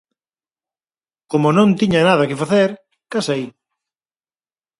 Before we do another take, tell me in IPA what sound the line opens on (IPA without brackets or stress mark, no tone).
k